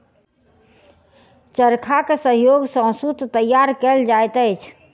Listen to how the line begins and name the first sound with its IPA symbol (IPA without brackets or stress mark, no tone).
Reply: t͡ʃ